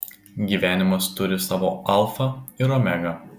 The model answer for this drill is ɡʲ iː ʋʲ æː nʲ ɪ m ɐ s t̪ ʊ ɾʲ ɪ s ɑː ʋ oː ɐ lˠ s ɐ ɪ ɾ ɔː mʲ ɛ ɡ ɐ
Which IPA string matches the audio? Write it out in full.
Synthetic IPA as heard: ɡʲ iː ʋʲ æː nʲ ɪ m ɐ s t̪ ʊ ɾʲ ɪ s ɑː ʋ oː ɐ lˠ f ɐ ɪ ɾ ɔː mʲ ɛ ɡ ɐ

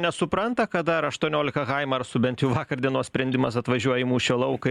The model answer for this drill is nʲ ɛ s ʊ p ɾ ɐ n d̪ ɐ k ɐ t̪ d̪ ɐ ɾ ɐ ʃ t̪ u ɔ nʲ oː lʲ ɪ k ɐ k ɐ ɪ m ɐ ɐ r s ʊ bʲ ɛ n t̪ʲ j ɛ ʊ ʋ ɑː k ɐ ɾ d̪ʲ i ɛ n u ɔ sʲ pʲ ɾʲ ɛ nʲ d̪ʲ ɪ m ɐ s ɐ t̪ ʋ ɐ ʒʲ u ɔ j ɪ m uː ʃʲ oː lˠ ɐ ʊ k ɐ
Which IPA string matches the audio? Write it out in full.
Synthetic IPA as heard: nʲ ɛ s ʊ p ɾ ɐ n t̪ ɐ k ɐ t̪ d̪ ɐ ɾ ɐ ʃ t̪ u ɔ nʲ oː lʲ ɪ k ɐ k ɐ ɪ m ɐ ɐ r s ʊ bʲ ɛ n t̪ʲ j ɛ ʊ ʋ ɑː k ɐ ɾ d̪ʲ i ɛ n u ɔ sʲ pʲ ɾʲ ɛ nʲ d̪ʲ ɪ m ɐ s ɐ t̪ ʋ ɐ ʒʲ u ɔ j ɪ m uː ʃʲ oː lˠ ɐ ʊ k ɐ

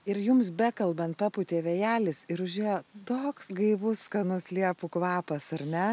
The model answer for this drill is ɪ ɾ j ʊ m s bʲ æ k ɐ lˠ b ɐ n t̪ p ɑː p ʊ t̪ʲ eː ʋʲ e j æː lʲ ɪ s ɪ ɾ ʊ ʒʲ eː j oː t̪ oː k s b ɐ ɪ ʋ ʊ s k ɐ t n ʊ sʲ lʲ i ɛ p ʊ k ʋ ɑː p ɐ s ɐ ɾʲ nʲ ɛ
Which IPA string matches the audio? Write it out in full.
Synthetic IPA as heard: ɪ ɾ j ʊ m s bʲ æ k ɐ lˠ b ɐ n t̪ p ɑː p ʊ t̪ʲ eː ʋʲ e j æː lʲ ɪ s ɪ ɾ ʊ ʒʲ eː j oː t̪ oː k s ɡ ɐ ɪ ʋ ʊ s k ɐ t n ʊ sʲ lʲ i ɛ p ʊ k ʋ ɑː p ɐ s ɐ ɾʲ nʲ ɛ

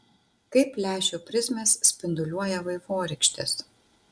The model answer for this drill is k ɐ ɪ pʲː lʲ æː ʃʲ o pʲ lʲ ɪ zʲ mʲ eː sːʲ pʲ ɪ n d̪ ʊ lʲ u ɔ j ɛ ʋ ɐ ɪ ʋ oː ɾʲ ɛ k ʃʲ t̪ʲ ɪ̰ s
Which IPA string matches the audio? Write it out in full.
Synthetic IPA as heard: k ɐ ɪ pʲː lʲ æː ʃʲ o pʲ ɾʲ ɪ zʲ mʲ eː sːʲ pʲ ɪ n d̪ ʊ lʲ u ɔ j ɛ ʋ ɐ ɪ ʋ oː ɾʲ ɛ k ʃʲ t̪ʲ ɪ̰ s

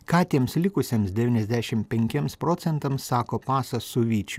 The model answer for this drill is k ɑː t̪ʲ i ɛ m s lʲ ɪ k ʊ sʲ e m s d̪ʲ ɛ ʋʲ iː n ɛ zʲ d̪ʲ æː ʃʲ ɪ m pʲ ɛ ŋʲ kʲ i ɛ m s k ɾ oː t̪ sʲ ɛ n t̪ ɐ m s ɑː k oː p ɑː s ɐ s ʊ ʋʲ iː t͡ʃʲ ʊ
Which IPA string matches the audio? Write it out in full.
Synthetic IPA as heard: k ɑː t̪ʲ i ɛ m s lʲ ɪ k ʊ sʲ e m s d̪ʲ ɛ ʋʲ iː n ɛ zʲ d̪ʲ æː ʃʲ ɪ m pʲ ɛ ŋʲ kʲ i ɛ m s p ɾ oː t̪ sʲ ɛ n t̪ ɐ m s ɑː k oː p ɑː s ɐ s ʊ ʋʲ iː t͡ʃʲ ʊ

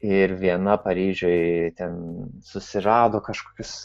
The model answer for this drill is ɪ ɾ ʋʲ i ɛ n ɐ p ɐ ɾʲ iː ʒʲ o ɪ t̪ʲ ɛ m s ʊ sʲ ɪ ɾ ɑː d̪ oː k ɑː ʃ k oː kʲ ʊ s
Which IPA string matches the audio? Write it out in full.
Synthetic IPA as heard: ɪ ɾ ʋʲ i ɛ n ɐ p ɐ ɾʲ iː ʒʲ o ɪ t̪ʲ ɛ n s ʊ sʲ ɪ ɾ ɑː d̪ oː k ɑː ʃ k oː kʲ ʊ s

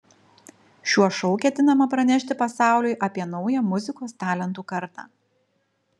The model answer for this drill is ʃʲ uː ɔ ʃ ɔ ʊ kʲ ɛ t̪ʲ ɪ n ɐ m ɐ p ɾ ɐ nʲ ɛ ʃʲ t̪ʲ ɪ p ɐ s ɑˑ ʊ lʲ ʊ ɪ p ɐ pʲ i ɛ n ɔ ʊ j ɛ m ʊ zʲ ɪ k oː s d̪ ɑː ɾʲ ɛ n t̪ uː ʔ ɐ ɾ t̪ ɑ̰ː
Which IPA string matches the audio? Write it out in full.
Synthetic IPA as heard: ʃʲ u ɔ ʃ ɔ ʊ kʲ ɛ t̪ʲ ɪ n ɐ m ɐ p ɾ ɐ nʲ ɛ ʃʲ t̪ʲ ɪ p ɐ s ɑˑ ʊ lʲ ʊ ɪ ʔ ɐ pʲ i ɛ n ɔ ʊ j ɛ m ʊ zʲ ɪ k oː s t̪ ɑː lʲ ɛ n t̪ uː k ɐ ɾ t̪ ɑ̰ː

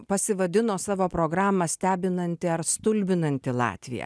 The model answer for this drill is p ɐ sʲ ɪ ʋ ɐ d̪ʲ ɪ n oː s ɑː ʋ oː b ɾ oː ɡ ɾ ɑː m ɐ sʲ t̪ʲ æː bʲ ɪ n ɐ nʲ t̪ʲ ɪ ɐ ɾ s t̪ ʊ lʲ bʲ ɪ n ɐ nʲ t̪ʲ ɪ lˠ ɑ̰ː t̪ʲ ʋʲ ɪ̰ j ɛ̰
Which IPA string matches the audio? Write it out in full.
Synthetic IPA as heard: p ɐ sʲ ɪ ʋ ɐ d̪ʲ ɪ n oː s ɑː ʋ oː p ɾ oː ɡ ɾ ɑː m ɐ sʲ t̪ʲ æː bʲ ɪ n ɐ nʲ t̪ʲ ɪ ɐ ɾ s t̪ ʊ lʲ bʲ ɪ n ɐ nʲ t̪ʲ ɪ lˠ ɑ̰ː t̪ʲ ʋʲ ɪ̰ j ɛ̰

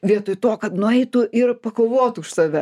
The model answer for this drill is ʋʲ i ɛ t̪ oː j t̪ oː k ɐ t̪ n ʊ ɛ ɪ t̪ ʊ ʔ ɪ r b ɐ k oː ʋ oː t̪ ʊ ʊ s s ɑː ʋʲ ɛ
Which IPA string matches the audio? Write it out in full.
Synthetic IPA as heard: ʋʲ i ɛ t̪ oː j t̪ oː k ɐ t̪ n ʊ ɛ ɪ t̪ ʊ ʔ ɪ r p ɐ k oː ʋ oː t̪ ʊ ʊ ʃ s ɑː ʋʲ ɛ

